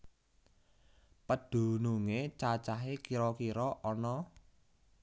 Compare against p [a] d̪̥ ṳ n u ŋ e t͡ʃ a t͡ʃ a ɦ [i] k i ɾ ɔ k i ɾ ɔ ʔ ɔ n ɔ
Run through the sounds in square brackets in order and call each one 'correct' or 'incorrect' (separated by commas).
incorrect, incorrect